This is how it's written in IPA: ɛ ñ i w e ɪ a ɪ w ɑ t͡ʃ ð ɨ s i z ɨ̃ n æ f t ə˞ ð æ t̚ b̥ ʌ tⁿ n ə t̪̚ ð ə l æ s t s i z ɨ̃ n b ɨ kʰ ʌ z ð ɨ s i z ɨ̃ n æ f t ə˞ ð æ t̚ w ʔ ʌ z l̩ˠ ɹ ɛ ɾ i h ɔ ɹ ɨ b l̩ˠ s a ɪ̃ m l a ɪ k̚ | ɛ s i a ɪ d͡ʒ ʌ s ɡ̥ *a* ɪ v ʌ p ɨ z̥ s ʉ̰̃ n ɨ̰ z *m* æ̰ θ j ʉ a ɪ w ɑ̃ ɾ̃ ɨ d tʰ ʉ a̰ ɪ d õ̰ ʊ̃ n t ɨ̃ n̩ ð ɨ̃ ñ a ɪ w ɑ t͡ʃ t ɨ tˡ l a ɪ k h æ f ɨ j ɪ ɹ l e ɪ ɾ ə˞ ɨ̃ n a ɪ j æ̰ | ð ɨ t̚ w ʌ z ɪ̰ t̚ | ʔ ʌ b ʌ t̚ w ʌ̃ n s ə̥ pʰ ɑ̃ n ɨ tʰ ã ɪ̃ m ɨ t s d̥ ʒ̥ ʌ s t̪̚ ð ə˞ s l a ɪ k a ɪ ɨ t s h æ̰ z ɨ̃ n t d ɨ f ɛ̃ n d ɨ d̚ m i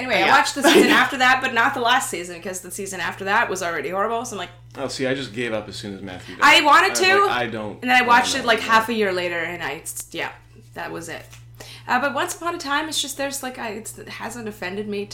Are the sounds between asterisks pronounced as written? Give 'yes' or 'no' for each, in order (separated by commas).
no, yes